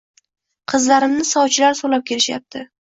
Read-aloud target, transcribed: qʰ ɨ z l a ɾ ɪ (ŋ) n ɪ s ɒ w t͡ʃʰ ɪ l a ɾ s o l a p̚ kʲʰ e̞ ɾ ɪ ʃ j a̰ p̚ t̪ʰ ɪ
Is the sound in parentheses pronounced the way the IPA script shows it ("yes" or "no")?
no